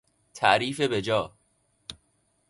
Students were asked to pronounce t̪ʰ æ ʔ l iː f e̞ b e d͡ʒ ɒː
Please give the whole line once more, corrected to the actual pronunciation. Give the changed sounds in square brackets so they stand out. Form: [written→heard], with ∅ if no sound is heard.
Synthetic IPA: t̪ʰ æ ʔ [l→ɾ] iː f e̞ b e d͡ʒ ɒː